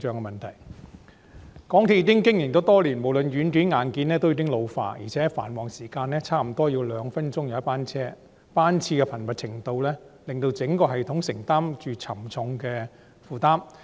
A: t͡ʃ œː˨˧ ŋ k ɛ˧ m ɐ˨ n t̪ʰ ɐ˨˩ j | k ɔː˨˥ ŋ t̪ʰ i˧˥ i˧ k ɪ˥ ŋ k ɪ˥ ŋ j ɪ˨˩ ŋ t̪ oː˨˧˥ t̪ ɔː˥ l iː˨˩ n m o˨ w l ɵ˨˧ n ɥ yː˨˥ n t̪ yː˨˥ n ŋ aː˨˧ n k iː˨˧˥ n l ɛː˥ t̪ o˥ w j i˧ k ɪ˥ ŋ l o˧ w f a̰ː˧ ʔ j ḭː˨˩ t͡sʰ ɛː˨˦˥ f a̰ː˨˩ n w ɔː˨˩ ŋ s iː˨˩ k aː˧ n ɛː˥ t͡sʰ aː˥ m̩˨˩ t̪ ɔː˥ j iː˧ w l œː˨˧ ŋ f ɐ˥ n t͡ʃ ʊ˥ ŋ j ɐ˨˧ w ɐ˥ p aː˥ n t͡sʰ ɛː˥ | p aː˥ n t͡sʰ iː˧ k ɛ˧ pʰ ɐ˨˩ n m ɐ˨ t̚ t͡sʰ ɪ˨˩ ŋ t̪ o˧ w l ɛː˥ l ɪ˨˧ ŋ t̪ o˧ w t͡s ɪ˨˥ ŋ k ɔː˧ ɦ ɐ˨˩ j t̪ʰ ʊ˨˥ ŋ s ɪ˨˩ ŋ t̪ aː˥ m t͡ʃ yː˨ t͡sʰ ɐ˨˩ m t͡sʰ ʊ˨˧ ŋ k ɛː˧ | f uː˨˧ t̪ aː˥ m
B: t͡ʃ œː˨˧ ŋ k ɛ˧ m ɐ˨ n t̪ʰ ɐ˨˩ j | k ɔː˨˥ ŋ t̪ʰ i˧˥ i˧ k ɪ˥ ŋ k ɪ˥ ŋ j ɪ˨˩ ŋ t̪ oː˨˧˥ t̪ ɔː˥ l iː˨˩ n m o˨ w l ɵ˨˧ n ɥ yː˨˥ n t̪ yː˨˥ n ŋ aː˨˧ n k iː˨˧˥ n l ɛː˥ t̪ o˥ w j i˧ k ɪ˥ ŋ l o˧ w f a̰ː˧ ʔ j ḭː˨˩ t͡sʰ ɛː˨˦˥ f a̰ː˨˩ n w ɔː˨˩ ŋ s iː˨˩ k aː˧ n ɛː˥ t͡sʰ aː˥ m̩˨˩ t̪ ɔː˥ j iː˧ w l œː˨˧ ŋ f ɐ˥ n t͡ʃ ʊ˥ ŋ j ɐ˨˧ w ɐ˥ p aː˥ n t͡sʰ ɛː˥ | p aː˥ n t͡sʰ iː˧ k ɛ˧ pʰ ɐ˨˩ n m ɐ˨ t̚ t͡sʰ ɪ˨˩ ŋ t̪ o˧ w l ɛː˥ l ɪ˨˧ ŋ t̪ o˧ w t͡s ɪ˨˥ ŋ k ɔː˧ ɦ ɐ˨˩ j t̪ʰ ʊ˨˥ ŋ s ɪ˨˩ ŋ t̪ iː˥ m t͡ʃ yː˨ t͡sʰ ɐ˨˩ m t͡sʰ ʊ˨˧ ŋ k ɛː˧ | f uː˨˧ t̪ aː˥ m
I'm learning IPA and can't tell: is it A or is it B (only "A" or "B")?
A